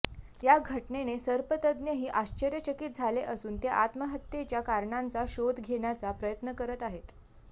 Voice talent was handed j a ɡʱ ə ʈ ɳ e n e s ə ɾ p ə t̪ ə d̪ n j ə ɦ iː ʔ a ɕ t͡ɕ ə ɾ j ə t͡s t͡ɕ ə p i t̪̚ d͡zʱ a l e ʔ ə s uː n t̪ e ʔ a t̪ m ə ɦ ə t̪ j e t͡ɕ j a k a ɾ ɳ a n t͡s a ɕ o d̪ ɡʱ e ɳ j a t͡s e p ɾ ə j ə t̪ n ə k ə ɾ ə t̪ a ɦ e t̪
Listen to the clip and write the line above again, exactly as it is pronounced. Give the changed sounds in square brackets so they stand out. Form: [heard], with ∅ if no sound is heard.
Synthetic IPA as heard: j a ɡʱ ə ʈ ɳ e n e s ə ɾ p ə t̪ ə d̪ n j ə ɦ iː ʔ a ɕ t͡ɕ ə ɾ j ə [∅] t͡ɕ ə [k] i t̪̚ d͡zʱ a l e ʔ ə s uː n t̪ e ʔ a t̪ m ə ɦ ə t̪ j e t͡ɕ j a k a ɾ ɳ a n t͡s a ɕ o d̪ ɡʱ e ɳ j a t͡s [a] p ɾ ə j ə t̪ n ə k ə ɾ ə t̪ a ɦ e t̪

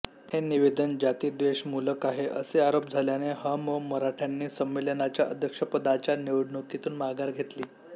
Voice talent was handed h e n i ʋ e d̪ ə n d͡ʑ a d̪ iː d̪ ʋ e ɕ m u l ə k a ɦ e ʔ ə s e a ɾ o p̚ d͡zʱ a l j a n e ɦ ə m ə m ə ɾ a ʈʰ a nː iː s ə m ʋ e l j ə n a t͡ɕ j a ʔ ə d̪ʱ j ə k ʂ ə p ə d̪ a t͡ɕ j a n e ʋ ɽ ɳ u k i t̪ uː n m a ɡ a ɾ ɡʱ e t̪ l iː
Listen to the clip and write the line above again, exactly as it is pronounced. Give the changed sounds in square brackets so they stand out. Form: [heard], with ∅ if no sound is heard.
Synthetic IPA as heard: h e n i ʋ e d̪ ə n d͡ʑ a [t̪] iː d̪ ʋ e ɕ m u l ə k a ɦ e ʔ ə s e a ɾ o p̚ d͡zʱ a l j a n e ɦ ə m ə m ə ɾ a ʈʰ a nː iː s ə m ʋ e l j ə n a t͡ɕ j a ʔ ə d̪ʱ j ə k ʂ ə p ə d̪ a t͡ɕ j a n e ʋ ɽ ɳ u k i t̪ uː n m a ɡ a ɾ ɡʱ e t̪ l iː

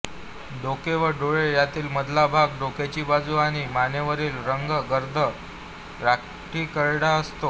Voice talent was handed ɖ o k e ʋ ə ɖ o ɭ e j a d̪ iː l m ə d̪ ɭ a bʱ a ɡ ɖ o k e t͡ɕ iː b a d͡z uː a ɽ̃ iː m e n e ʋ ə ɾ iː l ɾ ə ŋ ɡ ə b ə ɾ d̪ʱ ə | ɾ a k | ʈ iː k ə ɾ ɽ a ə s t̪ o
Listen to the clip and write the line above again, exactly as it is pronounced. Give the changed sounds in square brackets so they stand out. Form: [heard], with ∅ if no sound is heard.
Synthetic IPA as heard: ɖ o k e ʋ ə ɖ o ɭ e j a [t̪] iː l m ə d̪ [l] a bʱ a ɡ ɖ o k e t͡ɕ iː b a d͡z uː a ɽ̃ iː m [a] n e ʋ ə ɾ iː l ɾ ə ŋ ɡ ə [ɡ] ə ɾ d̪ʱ ə | ɾ a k | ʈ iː k ə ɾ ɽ a ə s t̪ o

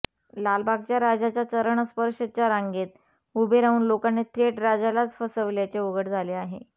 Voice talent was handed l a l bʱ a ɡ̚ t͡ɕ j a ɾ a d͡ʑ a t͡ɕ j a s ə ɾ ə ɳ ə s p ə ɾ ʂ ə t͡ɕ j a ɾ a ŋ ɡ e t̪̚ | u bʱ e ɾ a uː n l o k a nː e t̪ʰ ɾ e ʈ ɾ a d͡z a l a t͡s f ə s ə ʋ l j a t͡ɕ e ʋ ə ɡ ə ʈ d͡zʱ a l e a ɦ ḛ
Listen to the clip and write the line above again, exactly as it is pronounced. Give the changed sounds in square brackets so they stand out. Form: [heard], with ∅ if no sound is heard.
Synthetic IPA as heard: l a l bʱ a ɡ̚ t͡ɕ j a ɾ a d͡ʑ a t͡ɕ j a [t͡s] ə ɾ ə ɳ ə s p ə ɾ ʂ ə t͡ɕ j a ɾ a ŋ ɡ e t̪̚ | u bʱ e ɾ a uː n l o k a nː e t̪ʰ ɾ e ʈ ɾ a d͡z a l a t͡s f ə s ə ʋ l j a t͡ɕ e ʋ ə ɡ ə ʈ d͡zʱ a l e a ɦ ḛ

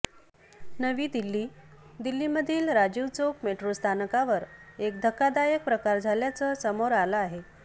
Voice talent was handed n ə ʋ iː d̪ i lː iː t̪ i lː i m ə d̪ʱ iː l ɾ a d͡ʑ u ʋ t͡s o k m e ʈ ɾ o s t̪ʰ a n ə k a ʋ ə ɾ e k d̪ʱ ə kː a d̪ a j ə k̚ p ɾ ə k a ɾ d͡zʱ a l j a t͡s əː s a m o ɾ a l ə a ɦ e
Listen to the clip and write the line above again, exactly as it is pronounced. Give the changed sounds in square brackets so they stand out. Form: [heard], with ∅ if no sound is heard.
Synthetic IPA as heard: n ə ʋ iː d̪ i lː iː [d̪] i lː i m ə d̪ʱ iː l ɾ a d͡ʑ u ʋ t͡s o k m e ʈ ɾ o s t̪ʰ a n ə k a ʋ ə ɾ e k d̪ʱ ə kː a d̪ a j ə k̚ p ɾ ə k a ɾ d͡zʱ a l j a t͡s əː s [ə] m o ɾ a l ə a ɦ e

